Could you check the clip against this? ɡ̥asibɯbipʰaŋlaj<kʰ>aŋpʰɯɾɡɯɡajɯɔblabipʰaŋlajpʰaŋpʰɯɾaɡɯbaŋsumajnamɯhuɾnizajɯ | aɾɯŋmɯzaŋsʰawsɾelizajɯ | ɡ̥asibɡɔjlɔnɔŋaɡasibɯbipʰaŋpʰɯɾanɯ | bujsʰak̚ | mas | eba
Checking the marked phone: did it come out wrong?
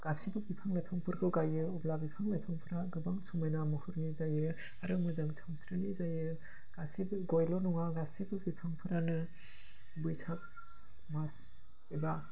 yes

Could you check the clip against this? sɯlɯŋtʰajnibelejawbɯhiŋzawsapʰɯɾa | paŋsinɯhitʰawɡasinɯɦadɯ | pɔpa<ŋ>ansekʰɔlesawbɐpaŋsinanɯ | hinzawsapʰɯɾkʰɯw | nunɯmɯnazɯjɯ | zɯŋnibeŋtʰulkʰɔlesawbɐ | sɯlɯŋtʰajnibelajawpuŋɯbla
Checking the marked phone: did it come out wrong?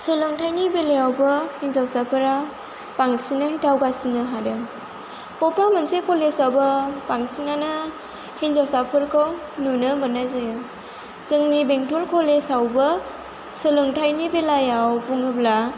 yes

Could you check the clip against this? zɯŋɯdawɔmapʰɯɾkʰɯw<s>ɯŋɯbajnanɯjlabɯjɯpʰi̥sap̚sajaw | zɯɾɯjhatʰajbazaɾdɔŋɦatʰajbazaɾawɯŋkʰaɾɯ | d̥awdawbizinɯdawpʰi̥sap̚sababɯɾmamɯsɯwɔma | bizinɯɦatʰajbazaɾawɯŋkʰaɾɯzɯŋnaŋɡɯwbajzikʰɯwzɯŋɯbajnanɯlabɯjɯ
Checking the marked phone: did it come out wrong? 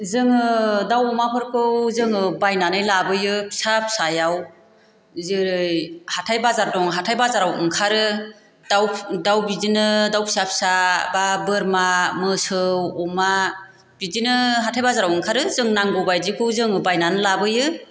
yes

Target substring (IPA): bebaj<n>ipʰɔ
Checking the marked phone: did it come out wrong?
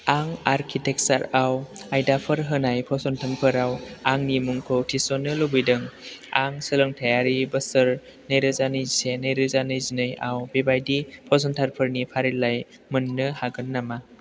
yes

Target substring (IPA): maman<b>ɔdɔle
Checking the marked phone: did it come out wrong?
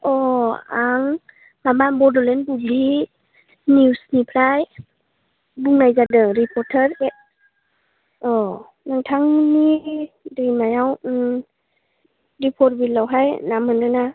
no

